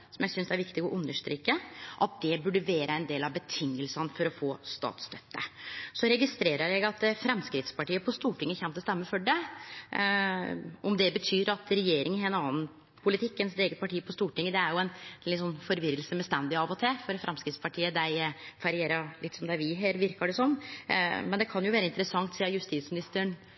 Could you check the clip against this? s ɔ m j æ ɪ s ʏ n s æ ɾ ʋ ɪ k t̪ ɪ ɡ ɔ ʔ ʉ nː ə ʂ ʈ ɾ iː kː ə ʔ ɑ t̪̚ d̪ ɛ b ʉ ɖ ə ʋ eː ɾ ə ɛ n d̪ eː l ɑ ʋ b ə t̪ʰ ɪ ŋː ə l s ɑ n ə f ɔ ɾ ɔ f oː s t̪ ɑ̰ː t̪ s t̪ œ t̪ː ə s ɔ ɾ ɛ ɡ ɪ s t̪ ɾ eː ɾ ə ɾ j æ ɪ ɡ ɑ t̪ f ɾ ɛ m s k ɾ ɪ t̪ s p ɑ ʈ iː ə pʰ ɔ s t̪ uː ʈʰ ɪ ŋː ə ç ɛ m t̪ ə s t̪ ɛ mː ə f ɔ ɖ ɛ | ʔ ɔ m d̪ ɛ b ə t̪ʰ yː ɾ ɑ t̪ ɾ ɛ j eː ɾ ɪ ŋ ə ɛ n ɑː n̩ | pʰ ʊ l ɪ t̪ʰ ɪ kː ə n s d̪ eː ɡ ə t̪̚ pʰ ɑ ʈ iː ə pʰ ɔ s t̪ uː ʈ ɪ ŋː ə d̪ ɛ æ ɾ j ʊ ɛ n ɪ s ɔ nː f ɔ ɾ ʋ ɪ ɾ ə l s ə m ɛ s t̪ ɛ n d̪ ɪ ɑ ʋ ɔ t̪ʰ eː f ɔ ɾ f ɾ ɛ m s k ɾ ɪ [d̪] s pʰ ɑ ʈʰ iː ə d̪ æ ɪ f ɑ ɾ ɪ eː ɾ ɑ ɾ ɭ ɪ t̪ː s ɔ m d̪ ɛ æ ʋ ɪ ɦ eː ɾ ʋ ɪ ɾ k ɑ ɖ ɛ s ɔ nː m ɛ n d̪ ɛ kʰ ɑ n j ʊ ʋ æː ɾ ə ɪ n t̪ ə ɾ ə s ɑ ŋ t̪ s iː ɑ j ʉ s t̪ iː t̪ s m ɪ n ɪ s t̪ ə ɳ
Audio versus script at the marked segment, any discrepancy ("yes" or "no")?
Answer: yes